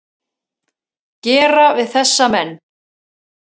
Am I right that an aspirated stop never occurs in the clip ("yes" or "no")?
yes